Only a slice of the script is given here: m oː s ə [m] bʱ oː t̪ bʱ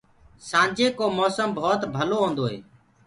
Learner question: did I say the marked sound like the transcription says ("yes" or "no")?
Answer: yes